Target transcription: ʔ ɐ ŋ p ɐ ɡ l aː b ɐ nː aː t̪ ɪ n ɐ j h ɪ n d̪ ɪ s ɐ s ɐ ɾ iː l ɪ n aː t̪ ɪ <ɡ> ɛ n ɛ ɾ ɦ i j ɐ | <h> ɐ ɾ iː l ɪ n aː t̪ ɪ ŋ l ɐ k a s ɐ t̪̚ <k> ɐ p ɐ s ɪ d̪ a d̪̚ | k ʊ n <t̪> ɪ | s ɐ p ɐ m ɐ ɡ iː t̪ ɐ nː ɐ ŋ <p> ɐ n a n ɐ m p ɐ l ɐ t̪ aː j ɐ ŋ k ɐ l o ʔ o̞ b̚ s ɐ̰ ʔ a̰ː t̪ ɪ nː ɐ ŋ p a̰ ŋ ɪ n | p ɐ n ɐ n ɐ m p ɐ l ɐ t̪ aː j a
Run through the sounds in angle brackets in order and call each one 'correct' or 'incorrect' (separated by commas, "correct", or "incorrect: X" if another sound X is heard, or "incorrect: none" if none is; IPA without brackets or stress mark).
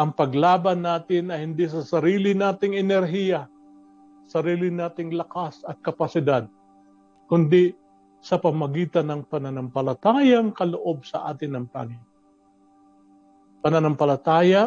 incorrect: ŋ, incorrect: s, correct, incorrect: d̪, correct